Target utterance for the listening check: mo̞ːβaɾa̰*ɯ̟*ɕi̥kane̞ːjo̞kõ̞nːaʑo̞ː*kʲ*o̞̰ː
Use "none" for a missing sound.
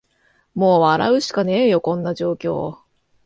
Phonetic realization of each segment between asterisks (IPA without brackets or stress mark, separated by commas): ɯ̟, kʲ